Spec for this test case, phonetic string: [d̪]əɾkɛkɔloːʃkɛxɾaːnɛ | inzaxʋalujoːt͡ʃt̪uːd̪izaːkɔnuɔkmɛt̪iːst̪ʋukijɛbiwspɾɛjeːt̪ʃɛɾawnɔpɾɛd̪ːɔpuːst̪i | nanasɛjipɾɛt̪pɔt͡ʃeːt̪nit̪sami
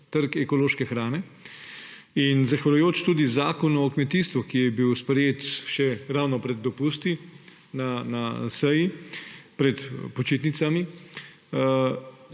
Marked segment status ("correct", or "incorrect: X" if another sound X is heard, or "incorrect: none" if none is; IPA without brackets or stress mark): incorrect: t̪